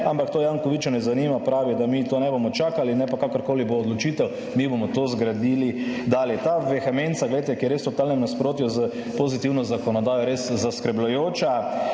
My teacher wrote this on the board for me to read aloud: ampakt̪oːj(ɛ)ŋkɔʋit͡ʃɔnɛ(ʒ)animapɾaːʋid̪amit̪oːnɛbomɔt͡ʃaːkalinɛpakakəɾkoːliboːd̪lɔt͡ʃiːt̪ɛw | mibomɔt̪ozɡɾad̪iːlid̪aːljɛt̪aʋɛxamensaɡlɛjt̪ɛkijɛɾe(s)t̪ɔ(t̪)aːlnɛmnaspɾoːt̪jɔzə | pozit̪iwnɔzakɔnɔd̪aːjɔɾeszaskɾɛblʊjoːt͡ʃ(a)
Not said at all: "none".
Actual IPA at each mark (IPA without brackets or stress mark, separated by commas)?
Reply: a, z, s, t̪, a